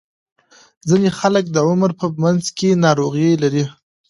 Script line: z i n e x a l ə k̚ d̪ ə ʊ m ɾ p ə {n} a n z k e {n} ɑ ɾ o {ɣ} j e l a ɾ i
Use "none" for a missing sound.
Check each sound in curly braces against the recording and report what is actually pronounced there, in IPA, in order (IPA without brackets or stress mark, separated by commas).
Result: m, n, ɣ